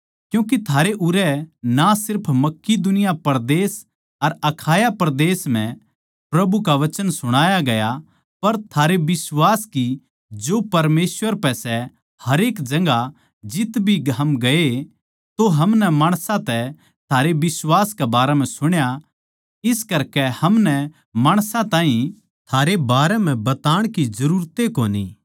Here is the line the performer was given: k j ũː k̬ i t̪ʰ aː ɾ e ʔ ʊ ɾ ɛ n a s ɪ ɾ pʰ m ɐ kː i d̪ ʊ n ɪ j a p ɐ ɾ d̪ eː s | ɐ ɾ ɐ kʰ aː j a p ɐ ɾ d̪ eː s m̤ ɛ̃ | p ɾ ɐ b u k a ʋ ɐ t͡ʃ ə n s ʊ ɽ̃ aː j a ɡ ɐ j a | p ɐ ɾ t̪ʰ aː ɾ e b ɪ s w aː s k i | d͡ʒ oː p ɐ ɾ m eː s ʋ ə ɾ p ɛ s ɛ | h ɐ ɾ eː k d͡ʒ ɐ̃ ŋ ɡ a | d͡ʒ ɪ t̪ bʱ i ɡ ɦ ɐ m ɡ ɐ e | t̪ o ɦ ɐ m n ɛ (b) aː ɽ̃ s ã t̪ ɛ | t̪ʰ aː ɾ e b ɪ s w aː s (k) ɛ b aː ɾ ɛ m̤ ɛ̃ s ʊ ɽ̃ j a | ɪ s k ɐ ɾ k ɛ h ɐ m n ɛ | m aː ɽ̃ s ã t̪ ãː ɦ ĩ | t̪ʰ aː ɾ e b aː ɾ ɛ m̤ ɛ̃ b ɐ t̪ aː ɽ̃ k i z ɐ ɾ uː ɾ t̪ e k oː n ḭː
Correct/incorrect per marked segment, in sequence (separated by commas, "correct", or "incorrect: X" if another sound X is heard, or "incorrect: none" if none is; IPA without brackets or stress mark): incorrect: m, correct